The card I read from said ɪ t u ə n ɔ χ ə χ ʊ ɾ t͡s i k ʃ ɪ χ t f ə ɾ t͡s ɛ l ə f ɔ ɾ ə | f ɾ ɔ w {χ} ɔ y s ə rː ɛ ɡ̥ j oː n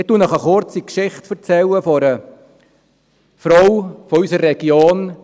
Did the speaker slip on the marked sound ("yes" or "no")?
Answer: yes